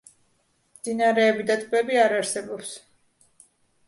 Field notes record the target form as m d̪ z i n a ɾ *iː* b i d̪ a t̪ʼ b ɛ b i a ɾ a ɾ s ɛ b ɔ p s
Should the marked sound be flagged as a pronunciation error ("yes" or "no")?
yes